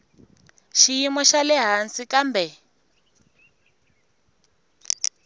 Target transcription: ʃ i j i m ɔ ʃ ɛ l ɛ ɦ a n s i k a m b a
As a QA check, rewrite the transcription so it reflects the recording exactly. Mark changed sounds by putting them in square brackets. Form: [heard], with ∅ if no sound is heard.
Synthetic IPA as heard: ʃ i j i m ɔ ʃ [a] l ɛ ɦ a n s i k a m b [ɛ]